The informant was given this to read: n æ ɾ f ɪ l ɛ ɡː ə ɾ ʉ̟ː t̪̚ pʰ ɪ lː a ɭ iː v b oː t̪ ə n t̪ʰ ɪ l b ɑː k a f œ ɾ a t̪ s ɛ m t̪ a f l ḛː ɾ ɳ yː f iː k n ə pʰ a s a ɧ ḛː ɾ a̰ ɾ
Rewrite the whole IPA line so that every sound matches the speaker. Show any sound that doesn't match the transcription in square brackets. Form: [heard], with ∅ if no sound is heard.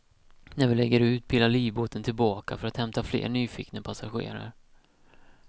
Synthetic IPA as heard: n æ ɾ [v] ɪ l ɛ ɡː ə ɾ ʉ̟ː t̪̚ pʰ ɪ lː a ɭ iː v b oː t̪ ə n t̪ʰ ɪ l b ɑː k a f œ ɾ a t̪ [h] ɛ m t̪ a f l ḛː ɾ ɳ yː f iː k n ə pʰ a s a ɧ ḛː ɾ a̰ ɾ